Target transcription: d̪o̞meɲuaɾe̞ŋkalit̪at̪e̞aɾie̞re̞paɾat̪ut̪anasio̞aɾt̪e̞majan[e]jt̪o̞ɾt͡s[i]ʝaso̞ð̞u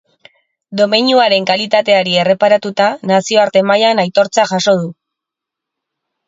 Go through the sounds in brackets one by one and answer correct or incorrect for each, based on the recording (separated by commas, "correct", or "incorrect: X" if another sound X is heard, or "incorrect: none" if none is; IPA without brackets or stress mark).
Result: incorrect: a, incorrect: a